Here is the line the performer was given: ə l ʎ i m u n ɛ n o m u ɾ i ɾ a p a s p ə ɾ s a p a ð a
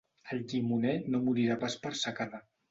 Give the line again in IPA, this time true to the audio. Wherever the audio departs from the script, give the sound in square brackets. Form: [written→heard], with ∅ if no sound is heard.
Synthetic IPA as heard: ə l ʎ i m u n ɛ n o m u ɾ i ɾ a p a s p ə ɾ s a [p→k] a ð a